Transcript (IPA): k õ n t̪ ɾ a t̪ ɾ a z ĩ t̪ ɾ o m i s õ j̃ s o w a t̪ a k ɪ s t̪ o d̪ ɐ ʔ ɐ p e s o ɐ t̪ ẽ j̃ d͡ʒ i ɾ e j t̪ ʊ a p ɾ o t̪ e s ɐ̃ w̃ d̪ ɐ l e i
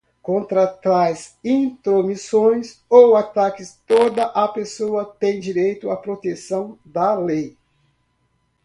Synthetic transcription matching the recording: k õ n t̪ ɾ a t̪ ɾ a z ĩ t̪ ɾ o m i s õ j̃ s o w a t̪ a k ɪ s t̪ o d̪ ɐ ʔ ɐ p e s o ɐ t̪ ẽ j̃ d͡ʒ i ɾ e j t̪ ʊ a p ɾ o t̪ e s ɐ̃ w̃ d̪ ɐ l e j